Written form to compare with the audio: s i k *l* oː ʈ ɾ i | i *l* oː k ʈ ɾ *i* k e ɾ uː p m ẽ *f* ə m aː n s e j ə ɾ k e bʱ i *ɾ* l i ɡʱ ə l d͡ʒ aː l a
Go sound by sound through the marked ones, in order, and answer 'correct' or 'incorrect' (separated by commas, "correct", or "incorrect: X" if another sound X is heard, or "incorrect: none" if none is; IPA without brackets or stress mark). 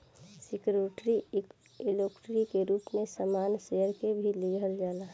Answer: incorrect: ɾ, correct, correct, incorrect: s, incorrect: none